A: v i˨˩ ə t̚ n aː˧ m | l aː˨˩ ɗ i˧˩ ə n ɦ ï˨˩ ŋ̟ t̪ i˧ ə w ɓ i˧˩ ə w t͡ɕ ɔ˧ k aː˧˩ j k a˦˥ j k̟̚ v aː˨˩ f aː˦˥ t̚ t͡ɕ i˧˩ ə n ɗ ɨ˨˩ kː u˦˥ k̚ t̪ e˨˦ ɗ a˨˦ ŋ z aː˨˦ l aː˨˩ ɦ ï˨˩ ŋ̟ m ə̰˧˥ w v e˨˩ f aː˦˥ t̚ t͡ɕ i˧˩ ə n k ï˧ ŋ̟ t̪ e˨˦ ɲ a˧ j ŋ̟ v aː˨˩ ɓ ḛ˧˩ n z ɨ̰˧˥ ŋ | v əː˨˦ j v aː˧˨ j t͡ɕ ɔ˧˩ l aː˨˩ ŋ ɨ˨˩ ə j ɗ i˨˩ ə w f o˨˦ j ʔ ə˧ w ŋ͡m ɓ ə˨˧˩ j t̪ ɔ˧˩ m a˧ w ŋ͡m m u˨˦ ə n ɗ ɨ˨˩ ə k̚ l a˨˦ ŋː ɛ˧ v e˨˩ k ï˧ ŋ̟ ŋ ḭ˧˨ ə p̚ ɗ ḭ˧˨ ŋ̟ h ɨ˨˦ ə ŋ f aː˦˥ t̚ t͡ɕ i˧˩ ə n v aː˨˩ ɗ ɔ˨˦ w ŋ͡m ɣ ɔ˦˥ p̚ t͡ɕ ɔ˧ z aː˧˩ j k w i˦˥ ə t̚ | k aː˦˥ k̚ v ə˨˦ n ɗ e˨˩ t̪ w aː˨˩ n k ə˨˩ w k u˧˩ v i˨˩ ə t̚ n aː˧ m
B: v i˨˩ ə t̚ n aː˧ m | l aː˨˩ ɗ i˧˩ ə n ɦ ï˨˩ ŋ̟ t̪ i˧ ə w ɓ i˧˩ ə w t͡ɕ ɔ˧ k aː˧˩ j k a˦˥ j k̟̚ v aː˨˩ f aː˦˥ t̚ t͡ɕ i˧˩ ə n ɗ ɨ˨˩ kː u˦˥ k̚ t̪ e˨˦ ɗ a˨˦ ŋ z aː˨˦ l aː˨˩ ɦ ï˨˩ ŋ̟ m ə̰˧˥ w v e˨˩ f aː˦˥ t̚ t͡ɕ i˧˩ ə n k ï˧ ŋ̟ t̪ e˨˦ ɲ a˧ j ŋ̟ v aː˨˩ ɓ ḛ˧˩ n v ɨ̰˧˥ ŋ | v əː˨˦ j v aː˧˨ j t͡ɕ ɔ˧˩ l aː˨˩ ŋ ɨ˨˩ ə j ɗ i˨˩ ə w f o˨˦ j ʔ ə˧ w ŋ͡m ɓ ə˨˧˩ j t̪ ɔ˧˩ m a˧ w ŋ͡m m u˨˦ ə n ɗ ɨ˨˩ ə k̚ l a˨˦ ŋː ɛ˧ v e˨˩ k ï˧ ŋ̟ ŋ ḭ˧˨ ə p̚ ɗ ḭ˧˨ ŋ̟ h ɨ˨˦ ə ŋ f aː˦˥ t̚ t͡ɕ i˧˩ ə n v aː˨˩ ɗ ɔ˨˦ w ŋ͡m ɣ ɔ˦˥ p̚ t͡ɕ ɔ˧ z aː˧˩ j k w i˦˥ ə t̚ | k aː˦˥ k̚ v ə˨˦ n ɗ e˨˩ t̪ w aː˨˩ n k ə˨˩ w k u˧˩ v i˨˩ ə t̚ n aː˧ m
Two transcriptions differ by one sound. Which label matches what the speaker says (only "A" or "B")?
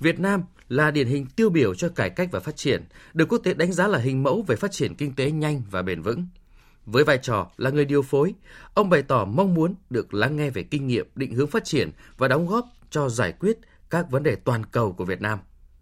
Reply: B